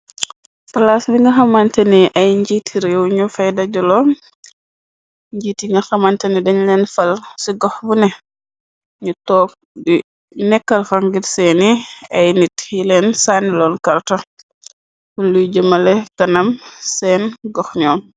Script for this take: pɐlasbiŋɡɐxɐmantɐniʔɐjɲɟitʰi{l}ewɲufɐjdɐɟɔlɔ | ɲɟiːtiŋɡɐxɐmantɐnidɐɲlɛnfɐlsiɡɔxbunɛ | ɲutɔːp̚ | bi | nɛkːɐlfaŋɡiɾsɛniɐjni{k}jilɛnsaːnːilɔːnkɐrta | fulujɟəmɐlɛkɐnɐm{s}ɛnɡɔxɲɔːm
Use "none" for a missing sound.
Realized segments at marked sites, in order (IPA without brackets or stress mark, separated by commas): ɾ, t, s